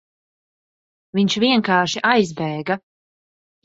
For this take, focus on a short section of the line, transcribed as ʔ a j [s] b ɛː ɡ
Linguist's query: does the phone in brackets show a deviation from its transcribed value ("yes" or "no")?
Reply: yes